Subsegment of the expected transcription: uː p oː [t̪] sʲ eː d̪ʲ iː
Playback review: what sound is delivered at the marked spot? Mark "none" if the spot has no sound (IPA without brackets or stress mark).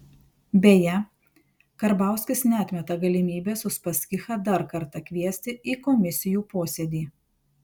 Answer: none